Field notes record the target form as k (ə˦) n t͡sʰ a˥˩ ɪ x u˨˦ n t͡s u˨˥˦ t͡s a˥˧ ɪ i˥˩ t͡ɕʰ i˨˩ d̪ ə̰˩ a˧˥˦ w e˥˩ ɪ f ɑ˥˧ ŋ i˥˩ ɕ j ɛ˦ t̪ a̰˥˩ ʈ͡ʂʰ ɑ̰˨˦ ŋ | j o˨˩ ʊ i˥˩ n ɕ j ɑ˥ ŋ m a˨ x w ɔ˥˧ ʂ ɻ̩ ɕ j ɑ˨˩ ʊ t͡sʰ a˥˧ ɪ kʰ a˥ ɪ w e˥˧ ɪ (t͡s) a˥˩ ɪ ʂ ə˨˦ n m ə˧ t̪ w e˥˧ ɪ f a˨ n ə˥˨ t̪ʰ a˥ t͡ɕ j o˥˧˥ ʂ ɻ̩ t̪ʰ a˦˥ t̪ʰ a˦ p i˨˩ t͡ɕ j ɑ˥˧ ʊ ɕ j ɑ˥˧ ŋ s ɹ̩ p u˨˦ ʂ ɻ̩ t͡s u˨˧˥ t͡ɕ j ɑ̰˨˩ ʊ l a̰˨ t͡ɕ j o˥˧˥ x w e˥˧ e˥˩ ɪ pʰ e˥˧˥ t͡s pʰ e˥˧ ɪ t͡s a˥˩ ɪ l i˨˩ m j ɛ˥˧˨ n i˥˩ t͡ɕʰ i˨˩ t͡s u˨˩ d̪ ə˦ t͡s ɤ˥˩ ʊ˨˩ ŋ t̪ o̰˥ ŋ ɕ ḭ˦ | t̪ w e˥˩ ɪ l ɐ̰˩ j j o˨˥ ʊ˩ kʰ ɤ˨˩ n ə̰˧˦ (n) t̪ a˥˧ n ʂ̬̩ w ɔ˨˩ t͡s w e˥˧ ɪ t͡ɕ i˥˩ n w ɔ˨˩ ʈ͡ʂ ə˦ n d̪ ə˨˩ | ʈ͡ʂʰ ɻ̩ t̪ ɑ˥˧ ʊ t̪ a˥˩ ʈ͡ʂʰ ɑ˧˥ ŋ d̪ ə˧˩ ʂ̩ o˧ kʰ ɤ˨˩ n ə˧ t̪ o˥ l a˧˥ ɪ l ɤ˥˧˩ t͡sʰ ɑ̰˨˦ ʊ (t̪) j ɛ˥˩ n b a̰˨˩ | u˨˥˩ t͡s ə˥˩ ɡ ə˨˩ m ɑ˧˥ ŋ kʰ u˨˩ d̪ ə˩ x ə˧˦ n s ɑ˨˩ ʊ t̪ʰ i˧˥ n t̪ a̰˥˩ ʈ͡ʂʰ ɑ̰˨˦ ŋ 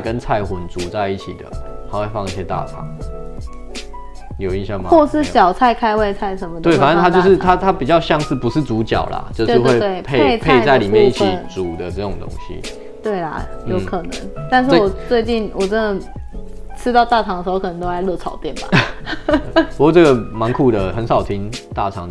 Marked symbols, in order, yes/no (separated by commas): yes, no, no, yes